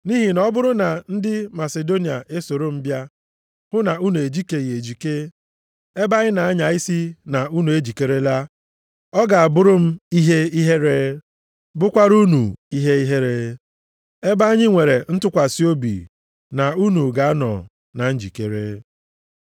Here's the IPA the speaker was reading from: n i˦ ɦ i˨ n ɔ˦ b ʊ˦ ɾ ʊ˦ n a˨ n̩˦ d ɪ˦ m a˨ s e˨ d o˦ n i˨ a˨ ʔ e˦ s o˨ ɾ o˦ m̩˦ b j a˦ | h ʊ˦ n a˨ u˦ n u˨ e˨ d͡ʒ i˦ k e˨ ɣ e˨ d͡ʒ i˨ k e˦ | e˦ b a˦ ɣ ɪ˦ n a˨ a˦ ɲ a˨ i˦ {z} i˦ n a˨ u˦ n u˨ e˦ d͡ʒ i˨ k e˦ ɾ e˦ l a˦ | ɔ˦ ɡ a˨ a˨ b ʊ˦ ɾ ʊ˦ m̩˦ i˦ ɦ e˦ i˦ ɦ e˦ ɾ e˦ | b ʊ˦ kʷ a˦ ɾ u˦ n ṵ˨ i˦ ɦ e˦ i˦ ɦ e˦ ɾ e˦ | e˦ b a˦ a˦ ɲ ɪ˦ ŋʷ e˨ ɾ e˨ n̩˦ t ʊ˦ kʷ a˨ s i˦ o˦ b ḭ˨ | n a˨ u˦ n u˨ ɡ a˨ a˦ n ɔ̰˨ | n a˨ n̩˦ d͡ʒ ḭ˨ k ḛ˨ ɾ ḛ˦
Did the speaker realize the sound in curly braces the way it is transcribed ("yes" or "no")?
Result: no